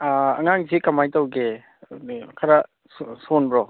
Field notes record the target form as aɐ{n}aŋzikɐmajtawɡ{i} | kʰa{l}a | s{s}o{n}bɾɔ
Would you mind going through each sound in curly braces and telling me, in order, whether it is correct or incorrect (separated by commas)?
incorrect, incorrect, incorrect, correct, correct